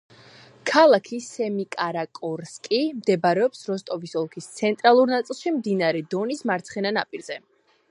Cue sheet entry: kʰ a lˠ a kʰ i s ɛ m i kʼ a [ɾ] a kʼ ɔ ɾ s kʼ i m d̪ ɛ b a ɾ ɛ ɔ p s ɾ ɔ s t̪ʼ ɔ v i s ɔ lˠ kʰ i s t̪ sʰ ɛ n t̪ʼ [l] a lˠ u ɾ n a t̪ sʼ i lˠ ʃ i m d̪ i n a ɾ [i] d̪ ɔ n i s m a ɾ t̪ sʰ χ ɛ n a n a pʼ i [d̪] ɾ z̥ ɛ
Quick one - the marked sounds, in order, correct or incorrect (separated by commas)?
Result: correct, incorrect, incorrect, incorrect